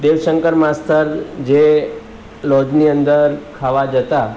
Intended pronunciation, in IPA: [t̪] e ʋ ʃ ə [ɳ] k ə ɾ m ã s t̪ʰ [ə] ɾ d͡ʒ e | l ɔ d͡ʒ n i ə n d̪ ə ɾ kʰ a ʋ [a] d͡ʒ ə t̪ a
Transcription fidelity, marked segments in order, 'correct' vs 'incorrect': incorrect, incorrect, correct, correct

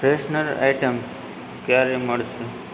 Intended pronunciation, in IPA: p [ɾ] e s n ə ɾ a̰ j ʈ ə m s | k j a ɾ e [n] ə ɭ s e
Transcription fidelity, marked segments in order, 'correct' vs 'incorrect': correct, incorrect

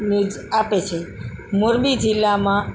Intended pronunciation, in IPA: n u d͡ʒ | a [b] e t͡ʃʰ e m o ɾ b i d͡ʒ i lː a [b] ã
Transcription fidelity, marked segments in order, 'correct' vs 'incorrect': incorrect, incorrect

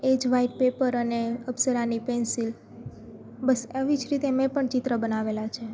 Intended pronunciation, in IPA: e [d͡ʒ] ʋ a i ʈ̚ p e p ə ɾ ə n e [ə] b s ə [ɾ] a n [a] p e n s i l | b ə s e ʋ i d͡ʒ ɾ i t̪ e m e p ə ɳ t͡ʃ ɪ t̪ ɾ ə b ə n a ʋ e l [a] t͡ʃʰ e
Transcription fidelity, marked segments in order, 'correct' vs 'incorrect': correct, correct, correct, incorrect, correct

